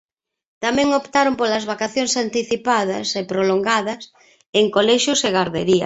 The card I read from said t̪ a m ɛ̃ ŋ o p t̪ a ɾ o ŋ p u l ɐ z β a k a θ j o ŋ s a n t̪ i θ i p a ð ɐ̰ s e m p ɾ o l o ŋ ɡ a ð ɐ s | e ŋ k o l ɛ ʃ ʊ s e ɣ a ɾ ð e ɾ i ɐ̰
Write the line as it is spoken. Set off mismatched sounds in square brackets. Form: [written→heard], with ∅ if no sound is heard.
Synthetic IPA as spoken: t̪ a m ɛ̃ ŋ o p t̪ a ɾ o [ŋ→m] p [u→o] l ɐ z β a k a θ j o ŋ s a n t̪ i θ i p a ð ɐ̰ s e [m→∅] p ɾ o l o ŋ ɡ a ð ɐ s | e ŋ k o l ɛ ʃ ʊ s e ɣ a ɾ ð e ɾ i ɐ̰